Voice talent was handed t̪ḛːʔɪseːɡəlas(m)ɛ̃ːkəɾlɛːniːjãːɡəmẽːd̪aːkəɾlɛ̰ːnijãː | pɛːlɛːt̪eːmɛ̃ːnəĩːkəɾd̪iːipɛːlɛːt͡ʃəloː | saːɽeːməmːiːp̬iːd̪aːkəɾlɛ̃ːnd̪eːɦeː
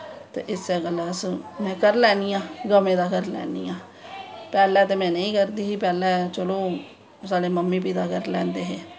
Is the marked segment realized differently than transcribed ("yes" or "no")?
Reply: no